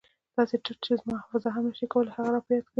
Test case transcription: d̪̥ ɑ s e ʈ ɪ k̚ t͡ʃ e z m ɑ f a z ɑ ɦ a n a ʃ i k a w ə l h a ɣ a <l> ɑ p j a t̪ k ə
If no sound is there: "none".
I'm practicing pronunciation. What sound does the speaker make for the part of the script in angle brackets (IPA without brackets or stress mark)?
ɾ